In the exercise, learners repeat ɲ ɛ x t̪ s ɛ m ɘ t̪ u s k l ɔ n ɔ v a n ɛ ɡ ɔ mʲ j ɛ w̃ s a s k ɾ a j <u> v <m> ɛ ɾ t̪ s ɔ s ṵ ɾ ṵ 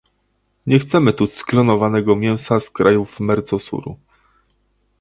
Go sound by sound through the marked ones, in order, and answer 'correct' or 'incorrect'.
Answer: correct, correct

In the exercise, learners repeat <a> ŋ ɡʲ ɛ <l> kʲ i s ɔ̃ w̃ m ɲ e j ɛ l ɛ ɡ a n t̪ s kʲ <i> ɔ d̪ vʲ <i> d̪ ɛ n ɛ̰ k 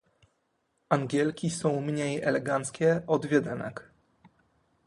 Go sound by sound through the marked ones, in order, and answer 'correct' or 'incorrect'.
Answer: correct, correct, incorrect, incorrect

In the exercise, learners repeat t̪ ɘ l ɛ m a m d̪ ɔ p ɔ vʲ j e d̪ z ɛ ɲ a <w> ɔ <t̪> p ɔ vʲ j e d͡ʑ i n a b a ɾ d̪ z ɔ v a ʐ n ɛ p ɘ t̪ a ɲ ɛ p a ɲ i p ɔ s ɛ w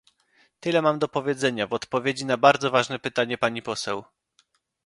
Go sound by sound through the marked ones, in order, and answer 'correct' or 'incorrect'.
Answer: incorrect, correct

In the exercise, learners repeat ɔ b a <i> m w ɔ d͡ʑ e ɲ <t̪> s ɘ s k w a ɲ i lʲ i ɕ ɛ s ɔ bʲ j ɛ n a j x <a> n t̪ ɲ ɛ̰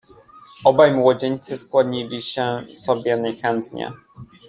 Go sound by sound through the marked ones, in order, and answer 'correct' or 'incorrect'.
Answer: incorrect, correct, incorrect

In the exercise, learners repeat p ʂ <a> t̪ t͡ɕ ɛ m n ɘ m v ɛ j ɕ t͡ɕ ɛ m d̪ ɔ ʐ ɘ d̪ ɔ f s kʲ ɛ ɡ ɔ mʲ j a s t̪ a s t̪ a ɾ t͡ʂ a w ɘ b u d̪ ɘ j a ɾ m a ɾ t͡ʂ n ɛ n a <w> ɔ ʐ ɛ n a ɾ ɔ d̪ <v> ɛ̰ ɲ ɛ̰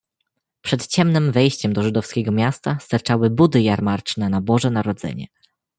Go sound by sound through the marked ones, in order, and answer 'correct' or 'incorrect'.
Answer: incorrect, incorrect, incorrect

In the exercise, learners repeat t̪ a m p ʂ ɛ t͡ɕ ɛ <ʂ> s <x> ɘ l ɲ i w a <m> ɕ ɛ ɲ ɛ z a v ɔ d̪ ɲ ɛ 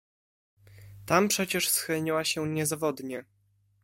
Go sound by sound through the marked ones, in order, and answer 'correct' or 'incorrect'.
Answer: correct, correct, incorrect

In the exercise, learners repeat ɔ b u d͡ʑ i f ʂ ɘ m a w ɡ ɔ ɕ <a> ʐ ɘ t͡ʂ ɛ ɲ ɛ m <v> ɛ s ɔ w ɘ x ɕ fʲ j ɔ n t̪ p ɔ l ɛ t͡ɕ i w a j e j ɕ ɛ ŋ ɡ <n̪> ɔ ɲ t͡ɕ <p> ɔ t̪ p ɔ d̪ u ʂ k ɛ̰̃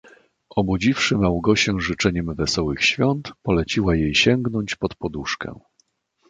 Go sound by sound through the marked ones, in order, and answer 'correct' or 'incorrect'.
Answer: incorrect, correct, correct, correct

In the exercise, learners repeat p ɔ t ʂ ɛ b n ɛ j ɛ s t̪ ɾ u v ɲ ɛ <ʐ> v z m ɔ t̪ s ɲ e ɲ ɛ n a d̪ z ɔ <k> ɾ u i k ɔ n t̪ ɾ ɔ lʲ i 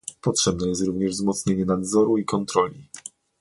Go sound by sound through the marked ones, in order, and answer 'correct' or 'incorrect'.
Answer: correct, incorrect

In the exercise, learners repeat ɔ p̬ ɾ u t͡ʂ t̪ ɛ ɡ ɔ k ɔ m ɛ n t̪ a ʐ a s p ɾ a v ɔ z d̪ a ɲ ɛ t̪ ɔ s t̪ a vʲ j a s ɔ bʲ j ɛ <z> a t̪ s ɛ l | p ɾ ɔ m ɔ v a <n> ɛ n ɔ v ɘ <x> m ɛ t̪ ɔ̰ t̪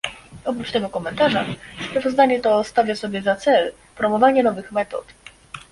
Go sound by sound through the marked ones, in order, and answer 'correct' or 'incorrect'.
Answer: correct, incorrect, correct

